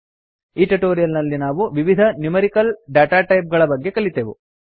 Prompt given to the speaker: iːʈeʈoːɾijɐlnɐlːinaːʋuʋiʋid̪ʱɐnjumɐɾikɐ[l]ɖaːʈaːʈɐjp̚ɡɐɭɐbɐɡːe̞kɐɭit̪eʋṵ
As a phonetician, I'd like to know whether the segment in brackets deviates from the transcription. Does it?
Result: no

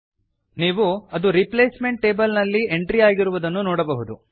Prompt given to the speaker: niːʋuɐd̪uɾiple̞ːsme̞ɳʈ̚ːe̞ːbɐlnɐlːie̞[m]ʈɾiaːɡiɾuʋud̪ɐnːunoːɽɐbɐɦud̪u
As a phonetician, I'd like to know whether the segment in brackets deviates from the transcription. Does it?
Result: yes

